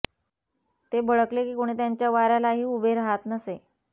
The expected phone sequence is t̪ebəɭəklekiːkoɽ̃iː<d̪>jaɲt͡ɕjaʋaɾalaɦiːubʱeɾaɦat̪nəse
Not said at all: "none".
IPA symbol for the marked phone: t̪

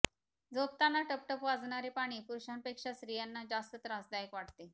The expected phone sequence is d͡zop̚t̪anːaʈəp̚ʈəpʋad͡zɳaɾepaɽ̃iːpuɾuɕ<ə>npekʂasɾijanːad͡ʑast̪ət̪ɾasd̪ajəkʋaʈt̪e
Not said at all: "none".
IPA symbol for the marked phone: a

